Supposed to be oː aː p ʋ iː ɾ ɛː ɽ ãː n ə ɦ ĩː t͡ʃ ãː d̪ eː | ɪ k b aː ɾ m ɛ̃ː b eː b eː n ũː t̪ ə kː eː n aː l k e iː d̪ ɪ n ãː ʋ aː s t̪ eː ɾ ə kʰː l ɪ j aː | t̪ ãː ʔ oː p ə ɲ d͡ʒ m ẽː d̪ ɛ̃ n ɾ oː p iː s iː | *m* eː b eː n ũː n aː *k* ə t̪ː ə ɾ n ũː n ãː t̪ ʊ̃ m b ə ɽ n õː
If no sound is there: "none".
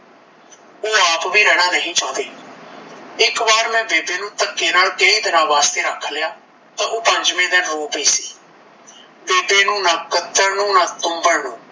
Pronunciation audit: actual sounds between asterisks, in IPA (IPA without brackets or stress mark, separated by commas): b, k